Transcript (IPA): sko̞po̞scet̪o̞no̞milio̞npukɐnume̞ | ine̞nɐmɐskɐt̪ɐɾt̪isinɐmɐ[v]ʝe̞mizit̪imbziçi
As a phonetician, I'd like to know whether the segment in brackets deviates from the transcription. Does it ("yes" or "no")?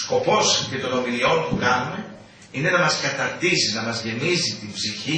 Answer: yes